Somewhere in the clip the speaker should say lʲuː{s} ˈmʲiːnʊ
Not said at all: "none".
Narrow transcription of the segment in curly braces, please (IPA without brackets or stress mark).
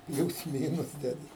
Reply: s